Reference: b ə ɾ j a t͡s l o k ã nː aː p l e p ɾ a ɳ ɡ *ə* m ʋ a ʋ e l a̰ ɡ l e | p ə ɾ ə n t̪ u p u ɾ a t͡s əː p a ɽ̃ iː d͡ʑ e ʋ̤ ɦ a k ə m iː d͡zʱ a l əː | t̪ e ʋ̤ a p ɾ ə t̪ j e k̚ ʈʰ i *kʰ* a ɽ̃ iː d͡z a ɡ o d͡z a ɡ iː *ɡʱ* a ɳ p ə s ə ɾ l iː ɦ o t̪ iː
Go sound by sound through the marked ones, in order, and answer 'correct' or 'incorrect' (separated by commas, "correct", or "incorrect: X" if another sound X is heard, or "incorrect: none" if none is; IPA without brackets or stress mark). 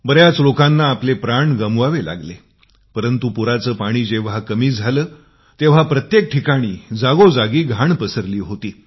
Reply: correct, incorrect: k, correct